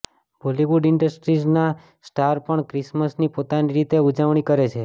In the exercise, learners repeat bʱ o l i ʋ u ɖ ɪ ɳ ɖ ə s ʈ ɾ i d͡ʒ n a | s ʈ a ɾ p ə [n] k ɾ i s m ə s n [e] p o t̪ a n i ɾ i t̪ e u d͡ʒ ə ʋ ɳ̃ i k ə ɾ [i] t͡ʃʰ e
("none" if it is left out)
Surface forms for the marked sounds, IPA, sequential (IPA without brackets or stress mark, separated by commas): ɳ, i, e